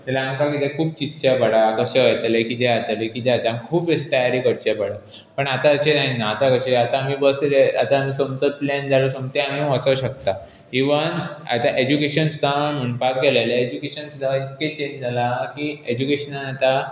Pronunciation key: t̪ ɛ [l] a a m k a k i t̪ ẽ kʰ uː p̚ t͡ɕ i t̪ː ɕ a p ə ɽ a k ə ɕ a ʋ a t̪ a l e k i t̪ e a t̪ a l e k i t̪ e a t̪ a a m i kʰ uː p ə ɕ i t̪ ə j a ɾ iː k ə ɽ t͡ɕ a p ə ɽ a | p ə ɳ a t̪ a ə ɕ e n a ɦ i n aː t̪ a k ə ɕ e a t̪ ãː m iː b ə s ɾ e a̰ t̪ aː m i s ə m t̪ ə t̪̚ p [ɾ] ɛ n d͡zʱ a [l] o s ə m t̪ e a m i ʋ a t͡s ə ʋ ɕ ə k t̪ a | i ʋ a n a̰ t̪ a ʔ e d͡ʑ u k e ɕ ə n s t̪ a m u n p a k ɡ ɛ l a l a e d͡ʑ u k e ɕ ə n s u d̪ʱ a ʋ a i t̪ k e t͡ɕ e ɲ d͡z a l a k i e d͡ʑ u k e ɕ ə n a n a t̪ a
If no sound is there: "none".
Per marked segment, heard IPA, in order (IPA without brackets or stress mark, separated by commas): l, l, l